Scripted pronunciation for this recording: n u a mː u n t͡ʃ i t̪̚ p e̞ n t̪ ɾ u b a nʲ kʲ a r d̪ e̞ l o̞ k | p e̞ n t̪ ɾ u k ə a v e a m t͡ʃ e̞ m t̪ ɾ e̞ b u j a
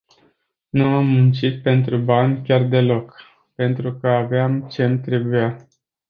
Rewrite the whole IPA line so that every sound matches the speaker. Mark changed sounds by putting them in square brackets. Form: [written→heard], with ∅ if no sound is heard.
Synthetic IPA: n u a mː u n t͡ʃ i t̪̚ p e̞ n t̪ ɾ u b a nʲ kʲ a r d̪ e̞ l o̞ k | p e̞ n t̪ ɾ u k ə a v e a m t͡ʃ e̞ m t̪ ɾ e̞ b u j a